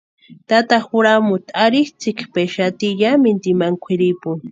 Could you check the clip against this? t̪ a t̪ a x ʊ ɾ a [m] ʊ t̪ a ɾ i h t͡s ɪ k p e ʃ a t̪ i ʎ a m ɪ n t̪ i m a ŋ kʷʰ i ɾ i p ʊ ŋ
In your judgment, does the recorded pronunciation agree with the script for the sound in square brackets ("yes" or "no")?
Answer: yes